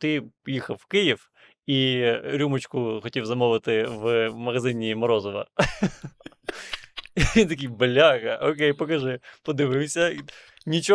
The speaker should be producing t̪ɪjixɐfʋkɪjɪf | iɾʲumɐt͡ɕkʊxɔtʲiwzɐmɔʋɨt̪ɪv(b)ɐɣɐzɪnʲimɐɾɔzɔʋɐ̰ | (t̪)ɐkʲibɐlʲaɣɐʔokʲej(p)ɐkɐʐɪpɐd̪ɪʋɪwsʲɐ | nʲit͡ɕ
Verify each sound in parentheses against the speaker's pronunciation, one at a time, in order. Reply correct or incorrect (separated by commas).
incorrect, correct, correct